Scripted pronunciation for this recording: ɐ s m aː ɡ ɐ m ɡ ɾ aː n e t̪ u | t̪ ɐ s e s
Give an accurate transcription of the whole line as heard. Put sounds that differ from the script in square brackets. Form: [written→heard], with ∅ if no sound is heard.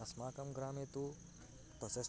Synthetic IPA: ɐ s m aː [ɡ→k] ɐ m ɡ ɾ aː [n→m] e t̪ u | t̪ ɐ s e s